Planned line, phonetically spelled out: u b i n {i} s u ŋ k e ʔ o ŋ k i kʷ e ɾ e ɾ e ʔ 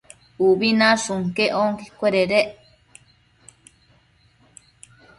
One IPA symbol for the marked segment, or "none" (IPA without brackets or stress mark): a